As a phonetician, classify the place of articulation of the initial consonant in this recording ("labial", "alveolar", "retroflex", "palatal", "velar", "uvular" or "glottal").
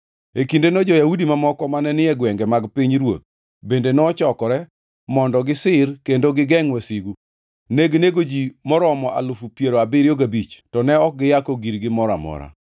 velar